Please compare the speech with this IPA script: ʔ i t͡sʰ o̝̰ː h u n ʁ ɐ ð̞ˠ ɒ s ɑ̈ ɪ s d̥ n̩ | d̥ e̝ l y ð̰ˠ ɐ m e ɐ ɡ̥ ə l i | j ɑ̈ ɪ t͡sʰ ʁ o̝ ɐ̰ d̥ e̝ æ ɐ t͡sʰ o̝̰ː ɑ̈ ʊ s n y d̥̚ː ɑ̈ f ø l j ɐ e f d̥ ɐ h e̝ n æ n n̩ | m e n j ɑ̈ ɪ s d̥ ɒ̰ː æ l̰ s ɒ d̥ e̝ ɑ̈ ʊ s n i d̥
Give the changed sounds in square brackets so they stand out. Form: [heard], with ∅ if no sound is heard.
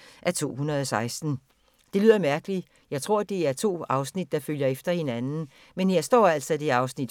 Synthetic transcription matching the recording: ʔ [æ] t͡sʰ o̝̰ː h u n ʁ ɐ ð̞ˠ ɒ s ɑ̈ ɪ s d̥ n̩ | d̥ e̝ l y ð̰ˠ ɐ m [æ] ɐ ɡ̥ ə l i | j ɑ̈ ɪ t͡sʰ ʁ o̝ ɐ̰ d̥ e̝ æ ɐ t͡sʰ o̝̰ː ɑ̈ ʊ s n [i] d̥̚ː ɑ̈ f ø l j ɐ e f d̥ ɐ h e̝ n æ n n̩ | m e n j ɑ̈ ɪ s d̥ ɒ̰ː æ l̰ s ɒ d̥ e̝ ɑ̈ ʊ s n i d̥